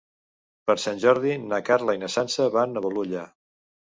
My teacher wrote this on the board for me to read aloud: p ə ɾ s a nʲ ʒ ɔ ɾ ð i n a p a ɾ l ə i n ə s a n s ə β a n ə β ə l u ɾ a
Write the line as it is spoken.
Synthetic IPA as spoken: p ə ɾ s a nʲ ʒ ɔ ɾ ð i n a k a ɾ l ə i n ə s a n s ə β a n ə β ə l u ʎ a